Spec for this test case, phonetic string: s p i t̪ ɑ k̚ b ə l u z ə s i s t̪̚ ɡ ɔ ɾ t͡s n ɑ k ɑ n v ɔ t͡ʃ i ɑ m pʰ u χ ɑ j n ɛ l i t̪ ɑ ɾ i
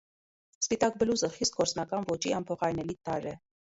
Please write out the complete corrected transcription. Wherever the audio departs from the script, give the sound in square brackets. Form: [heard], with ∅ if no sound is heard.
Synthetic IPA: s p i t̪ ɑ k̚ b ə l u z ə [χ] i s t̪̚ ɡ ɔ ɾ t͡s n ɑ k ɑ n v ɔ t͡ʃ i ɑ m pʰ [ɔ] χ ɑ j n ɛ l i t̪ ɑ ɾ [ɛ]